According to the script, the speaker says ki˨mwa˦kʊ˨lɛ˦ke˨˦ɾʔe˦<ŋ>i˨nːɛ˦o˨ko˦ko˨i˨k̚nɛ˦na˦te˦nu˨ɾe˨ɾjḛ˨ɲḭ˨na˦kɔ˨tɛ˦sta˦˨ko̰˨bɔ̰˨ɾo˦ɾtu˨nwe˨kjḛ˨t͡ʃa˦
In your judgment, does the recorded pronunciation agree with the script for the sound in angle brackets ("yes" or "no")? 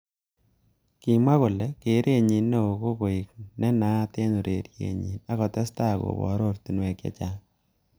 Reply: no